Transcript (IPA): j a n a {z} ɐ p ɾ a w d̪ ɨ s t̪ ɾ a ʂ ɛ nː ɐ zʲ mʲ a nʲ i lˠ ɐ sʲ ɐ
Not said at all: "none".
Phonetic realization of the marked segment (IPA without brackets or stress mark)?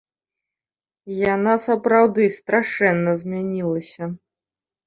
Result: s